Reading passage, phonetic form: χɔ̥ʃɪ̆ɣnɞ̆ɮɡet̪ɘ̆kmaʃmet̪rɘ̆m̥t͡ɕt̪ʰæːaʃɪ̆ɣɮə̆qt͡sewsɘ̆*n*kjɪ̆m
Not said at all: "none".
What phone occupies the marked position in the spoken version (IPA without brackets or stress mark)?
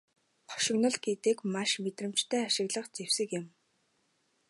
none